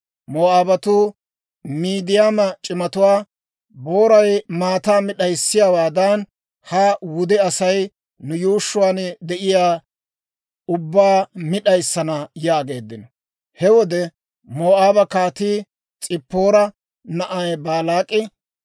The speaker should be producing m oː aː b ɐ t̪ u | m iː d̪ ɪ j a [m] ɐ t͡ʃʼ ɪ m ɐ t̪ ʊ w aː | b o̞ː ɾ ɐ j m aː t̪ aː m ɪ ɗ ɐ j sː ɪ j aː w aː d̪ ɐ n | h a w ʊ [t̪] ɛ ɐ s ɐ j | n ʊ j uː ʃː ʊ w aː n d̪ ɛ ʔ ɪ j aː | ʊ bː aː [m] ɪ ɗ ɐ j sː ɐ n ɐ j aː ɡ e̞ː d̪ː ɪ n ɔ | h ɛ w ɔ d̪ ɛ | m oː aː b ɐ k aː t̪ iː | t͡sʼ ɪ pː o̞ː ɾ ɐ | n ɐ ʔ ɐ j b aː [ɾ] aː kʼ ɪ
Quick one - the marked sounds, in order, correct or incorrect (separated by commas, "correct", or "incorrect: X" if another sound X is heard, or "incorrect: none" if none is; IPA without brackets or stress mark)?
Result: correct, incorrect: d̪, correct, incorrect: l